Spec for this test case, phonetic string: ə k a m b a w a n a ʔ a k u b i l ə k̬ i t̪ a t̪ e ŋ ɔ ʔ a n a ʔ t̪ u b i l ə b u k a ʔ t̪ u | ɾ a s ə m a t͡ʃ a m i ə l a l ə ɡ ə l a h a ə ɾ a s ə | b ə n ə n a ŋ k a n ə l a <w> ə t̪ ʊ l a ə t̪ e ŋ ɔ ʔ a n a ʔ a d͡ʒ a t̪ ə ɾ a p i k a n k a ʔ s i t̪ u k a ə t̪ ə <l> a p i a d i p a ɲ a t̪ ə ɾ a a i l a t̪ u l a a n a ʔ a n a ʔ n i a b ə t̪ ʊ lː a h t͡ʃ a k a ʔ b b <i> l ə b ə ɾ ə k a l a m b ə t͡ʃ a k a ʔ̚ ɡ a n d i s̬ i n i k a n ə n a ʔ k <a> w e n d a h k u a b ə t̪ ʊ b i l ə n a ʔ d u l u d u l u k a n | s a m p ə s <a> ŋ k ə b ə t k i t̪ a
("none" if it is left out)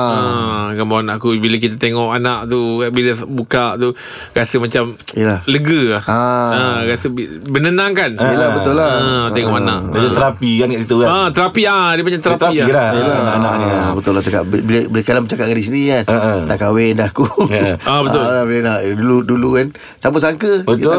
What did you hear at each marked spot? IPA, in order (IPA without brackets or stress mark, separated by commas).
b, ɾ, i, a, a